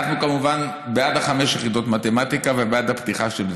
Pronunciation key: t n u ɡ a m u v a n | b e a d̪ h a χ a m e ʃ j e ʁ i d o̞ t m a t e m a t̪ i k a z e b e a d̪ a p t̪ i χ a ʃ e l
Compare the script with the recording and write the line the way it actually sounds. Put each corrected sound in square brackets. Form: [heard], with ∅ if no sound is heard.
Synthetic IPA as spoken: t n u [k] a m u v a n | b e a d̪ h a χ a m e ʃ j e [χ] i d o̞ t m a t e m a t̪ i k a [v] e b e a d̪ a p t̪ i χ a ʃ e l